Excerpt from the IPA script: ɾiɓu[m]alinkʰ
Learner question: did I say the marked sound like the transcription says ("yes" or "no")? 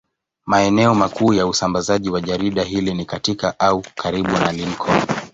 no